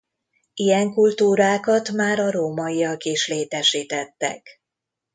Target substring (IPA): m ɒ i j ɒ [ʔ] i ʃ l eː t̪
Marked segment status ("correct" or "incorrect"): incorrect